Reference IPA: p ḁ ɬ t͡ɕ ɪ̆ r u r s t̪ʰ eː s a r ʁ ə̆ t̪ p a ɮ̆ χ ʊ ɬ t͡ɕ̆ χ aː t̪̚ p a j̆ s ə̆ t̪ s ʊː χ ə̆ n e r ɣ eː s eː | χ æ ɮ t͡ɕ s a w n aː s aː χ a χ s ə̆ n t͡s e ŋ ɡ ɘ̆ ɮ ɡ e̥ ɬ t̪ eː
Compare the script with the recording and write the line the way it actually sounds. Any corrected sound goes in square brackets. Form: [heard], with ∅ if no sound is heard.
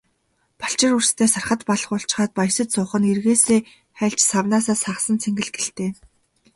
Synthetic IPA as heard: p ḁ ɬ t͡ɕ ɪ̆ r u r s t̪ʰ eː s a r [χ] ə̆ t̪ p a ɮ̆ χ ʊ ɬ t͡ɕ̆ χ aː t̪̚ p a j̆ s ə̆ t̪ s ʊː χ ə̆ n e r ɣ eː s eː | χ æ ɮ t͡ɕ s a w n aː s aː [s] a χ s ə̆ n [t͡sʰ] e ŋ ɡ ɘ̆ ɮ ɡ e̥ ɬ t̪ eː

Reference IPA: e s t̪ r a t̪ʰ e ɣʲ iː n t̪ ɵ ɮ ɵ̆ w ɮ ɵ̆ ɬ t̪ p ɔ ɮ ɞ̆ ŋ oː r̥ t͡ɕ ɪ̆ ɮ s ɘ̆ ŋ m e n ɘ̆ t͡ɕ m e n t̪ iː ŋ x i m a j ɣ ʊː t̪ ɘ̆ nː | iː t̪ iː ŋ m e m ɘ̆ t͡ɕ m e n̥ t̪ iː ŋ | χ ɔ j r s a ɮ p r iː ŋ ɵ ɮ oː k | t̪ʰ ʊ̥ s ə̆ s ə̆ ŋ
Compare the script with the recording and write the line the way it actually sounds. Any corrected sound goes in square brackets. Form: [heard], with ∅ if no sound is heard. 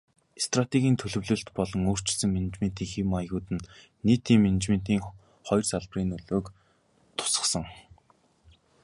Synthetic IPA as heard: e s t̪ r a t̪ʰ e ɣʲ iː n [t̪ʰ] ɵ ɮ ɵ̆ w ɮ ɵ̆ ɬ t̪ p ɔ ɮ ɞ̆ ŋ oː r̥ t͡ɕ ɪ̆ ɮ s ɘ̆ ŋ m e n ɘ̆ t͡ɕ m e n t̪ iː ŋ x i m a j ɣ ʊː t̪ ɘ̆ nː | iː t̪ iː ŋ m e [n] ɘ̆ t͡ɕ m e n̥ t̪ iː ŋ | χ ɔ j r s a ɮ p r iː [n] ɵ ɮ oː k | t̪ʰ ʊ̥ s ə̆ s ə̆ ŋ

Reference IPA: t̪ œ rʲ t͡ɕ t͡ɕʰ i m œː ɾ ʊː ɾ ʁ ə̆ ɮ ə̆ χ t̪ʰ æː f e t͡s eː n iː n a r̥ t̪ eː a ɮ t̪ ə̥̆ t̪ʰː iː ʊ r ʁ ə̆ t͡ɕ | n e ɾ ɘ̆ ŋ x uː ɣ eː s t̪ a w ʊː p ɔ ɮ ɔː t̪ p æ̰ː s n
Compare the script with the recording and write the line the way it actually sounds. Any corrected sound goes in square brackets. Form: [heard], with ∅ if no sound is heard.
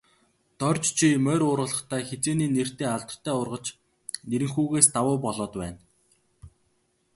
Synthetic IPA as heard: t̪ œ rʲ t͡ɕ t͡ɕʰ i m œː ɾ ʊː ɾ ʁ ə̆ ɮ ə̆ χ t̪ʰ æː [x] e t͡s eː n iː n [e] r̥ t̪ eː a ɮ t̪ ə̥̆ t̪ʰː [æː] ʊ r ʁ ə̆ t͡ɕ | n e ɾ ɘ̆ ŋ x uː ɣ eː s t̪ a w ʊː p ɔ ɮ ɔː t̪ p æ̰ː [∅] n

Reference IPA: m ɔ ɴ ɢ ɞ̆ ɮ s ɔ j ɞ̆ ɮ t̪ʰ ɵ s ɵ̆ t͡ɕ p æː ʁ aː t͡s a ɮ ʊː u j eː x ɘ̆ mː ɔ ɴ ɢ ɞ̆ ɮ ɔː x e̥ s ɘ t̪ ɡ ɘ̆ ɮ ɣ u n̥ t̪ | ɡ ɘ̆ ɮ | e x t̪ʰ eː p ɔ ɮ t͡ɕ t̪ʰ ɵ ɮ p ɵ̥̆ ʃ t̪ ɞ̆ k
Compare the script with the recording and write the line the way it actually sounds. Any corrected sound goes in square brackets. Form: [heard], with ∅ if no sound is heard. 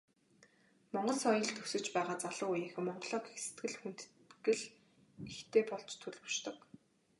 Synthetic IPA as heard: m ɔ ɴ ɢ ɞ̆ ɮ s ɔ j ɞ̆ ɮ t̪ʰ ɵ s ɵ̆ t͡ɕ p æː ʁ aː t͡s a ɮ ʊː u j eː x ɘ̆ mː ɔ ɴ ɢ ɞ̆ ɮ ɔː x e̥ s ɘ t̪ ɡ ɘ̆ ɮ [x] u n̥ t̪ | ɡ ɘ̆ ɮ | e x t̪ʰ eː p ɔ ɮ t͡ɕ t̪ʰ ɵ ɮ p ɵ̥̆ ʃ t̪ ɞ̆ k

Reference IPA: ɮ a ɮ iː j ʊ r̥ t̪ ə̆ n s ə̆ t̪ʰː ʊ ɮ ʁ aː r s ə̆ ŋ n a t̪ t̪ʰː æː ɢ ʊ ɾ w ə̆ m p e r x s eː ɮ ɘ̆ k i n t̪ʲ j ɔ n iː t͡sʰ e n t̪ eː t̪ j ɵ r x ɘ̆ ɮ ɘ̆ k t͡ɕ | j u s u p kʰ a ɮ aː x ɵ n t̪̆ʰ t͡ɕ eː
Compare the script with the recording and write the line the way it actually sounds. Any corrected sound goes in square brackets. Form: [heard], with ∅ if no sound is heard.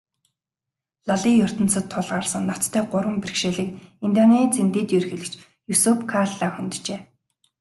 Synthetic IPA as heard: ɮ a ɮ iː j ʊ r̥ t̪ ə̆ n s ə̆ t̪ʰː ʊ ɮ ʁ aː r s ə̆ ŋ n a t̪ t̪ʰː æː ɢ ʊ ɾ w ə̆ m p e r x [ʃ] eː ɮ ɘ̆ k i n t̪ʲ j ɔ n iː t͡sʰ e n t̪ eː t̪ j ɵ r x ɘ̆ ɮ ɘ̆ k t͡ɕ | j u s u p kʰ a ɮ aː x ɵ n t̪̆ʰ t͡ɕ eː

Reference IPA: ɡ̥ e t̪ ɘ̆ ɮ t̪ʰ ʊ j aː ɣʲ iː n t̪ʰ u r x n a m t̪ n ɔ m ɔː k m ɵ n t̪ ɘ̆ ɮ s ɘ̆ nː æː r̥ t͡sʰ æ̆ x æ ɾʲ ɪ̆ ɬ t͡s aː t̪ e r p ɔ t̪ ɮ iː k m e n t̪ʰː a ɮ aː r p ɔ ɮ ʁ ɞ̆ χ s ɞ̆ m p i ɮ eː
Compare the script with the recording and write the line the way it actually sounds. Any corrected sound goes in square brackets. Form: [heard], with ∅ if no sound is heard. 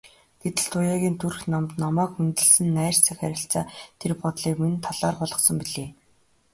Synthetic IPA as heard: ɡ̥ e t̪ ɘ̆ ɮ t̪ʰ ʊ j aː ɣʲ iː n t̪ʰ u r x n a m t̪ n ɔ m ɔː k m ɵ n t̪ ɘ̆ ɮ s ɘ̆ nː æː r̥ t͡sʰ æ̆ x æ ɾʲ ɪ̆ ɬ t͡s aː [t̪ʰ] e r p ɔ t̪ ɮ iː k m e n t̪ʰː a ɮ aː r p ɔ ɮ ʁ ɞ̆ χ s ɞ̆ m p i ɮ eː

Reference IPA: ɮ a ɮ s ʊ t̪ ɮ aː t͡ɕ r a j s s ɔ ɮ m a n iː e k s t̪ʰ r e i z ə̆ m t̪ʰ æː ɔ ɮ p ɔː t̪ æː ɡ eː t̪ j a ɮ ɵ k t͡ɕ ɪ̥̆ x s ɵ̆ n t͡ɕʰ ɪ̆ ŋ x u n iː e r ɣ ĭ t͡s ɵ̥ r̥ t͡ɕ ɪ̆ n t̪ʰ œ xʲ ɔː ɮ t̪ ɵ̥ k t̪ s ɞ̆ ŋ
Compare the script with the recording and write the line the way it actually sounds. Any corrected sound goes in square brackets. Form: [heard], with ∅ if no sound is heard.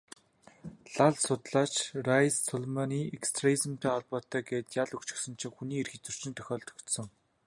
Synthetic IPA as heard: ɮ a ɮ s ʊ t̪ ɮ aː t͡ɕ r a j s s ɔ ɮ m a n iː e k s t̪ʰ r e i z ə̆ m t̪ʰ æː ɔ ɮ p ɔː t̪ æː ɡ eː t̪ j a ɮ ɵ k t͡ɕ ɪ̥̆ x s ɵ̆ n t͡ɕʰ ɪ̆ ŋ x u n iː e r [x] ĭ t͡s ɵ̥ r̥ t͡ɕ ɪ̆ n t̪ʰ œ xʲ ɔː ɮ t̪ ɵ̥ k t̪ s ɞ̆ ŋ

